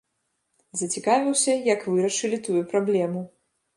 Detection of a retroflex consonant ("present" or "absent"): present